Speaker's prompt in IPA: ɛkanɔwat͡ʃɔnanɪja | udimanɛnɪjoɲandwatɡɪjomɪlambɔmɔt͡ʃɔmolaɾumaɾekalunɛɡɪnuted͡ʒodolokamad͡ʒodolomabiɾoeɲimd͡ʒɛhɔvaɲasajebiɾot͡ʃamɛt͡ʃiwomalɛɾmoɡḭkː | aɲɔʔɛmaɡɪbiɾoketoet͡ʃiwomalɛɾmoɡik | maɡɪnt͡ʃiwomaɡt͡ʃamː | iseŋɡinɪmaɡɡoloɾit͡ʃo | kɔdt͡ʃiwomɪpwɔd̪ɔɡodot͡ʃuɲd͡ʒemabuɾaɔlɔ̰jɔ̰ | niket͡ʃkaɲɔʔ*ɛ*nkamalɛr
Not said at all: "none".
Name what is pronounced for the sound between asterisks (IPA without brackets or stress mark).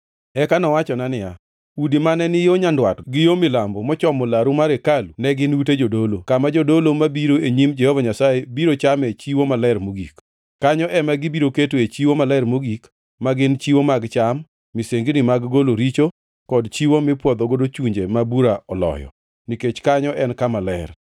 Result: ɛ